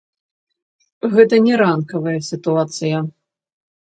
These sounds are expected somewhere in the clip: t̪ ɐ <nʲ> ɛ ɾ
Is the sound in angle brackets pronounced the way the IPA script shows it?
yes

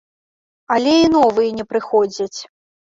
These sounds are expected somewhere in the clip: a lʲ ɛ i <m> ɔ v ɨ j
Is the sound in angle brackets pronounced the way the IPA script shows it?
no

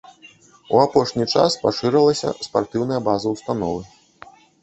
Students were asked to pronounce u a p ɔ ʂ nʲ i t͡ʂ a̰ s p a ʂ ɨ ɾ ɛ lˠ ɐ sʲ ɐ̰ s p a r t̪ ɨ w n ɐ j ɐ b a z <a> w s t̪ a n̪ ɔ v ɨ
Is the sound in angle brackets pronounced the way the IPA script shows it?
no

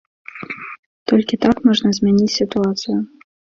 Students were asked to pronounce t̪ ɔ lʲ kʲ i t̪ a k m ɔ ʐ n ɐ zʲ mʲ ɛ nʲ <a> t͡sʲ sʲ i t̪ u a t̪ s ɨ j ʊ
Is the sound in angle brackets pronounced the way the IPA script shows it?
no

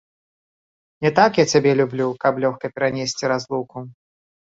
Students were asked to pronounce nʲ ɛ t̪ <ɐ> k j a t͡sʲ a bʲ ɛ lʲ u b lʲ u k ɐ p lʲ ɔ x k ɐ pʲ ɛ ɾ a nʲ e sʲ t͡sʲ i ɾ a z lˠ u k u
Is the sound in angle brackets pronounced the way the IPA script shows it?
no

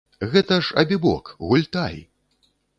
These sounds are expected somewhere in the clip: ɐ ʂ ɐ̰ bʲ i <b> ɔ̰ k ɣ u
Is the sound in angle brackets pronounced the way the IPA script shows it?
yes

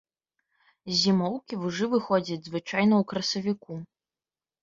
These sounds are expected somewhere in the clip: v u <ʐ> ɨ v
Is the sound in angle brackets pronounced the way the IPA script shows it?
yes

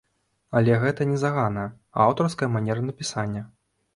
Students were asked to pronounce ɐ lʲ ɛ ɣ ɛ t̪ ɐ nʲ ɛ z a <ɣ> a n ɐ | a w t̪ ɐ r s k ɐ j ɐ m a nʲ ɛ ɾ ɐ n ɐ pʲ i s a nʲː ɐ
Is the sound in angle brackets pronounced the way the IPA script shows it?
yes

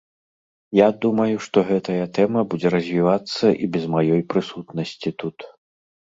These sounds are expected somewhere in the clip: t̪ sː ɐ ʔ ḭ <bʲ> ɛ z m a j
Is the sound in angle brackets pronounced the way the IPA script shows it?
yes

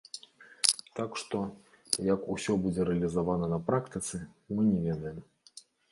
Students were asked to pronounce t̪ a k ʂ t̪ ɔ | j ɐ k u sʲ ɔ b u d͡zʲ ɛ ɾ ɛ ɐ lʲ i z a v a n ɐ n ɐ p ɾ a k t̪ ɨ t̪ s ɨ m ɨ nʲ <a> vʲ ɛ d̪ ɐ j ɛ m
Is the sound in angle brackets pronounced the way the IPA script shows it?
no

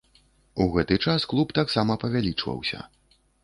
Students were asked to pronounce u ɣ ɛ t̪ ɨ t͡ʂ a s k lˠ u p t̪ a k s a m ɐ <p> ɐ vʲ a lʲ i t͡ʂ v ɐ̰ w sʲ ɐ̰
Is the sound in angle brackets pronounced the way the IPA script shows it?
yes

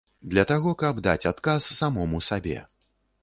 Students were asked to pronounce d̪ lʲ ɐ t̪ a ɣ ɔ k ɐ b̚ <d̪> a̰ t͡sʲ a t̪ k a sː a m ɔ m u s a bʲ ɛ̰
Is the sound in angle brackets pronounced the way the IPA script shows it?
yes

